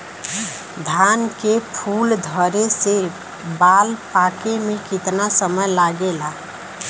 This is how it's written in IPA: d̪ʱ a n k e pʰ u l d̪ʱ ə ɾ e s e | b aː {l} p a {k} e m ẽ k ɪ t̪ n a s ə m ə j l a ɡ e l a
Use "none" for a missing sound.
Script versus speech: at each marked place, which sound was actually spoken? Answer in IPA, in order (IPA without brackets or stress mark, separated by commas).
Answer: l, k